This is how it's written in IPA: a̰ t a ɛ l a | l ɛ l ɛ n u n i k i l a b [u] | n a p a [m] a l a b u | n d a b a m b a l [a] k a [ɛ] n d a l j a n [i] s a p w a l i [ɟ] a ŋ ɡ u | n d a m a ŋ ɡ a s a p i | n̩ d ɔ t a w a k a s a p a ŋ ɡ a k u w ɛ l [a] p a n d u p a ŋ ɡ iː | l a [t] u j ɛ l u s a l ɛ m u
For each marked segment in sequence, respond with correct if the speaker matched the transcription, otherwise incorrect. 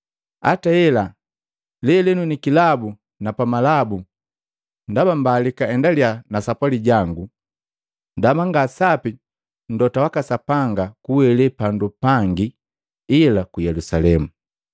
correct, correct, incorrect: i, correct, incorrect: a, correct, incorrect: ɛ, incorrect: k

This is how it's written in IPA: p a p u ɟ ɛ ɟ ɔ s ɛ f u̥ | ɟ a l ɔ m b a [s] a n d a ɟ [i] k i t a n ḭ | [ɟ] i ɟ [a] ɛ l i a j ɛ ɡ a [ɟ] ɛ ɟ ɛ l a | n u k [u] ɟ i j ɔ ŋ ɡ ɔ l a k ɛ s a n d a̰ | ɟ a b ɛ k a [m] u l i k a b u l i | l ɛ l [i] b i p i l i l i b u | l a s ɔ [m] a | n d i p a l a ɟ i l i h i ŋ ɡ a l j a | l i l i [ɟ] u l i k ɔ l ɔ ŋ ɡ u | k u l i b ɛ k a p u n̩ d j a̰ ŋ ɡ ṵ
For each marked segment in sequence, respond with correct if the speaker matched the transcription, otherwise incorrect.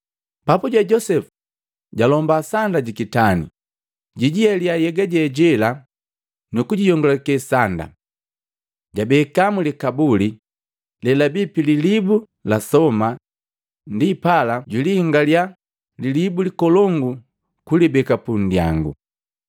correct, correct, correct, incorrect: i, correct, correct, correct, incorrect: a, correct, incorrect: b

